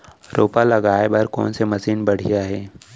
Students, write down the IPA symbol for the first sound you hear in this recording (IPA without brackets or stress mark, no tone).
ɾ